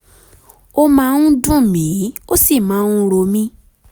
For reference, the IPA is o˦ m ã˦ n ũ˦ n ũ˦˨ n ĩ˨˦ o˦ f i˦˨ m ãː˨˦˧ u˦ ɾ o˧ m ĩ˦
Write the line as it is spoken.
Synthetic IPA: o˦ m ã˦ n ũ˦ d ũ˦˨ m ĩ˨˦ o˦ s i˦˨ m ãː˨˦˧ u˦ ɾ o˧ m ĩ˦